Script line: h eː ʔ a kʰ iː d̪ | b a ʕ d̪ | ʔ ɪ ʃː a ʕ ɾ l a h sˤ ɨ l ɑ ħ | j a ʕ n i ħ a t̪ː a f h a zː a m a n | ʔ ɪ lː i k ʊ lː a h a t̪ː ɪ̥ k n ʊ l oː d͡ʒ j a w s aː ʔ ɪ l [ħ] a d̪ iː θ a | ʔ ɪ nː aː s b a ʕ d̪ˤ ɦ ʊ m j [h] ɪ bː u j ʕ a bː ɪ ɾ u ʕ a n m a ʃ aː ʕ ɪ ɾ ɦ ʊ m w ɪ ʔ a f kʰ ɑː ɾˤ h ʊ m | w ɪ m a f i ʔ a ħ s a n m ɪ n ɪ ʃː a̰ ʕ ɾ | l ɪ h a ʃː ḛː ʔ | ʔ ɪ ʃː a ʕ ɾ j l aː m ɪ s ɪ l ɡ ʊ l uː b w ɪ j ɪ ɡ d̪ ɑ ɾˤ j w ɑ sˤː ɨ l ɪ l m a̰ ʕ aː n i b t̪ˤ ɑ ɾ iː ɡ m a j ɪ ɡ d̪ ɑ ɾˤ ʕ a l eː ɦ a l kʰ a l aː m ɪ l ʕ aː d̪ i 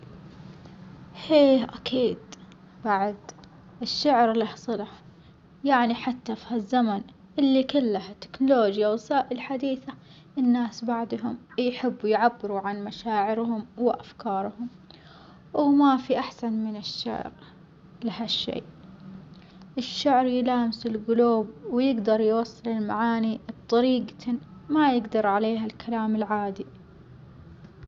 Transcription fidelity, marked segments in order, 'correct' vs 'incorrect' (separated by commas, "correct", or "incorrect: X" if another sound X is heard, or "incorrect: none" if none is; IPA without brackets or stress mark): correct, incorrect: ħ